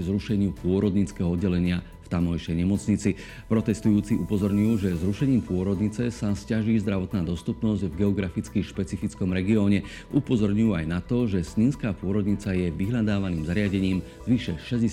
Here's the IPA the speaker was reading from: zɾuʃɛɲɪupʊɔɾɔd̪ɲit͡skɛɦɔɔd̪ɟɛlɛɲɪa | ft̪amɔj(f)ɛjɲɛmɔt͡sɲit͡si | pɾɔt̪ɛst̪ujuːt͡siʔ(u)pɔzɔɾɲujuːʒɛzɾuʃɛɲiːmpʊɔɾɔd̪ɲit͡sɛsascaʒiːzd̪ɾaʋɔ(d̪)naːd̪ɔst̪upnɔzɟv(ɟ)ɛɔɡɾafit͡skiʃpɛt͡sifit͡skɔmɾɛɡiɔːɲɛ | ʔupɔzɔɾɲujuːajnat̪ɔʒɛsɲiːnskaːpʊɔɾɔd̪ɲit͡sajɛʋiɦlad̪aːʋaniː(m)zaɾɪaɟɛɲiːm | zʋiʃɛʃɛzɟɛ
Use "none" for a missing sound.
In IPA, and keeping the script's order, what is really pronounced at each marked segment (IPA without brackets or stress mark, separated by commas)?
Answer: ʃ, u, t̪, ɡ, m